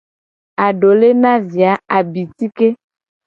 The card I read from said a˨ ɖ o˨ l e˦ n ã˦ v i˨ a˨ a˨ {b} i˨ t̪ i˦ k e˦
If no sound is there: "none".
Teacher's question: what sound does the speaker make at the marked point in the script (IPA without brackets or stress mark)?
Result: b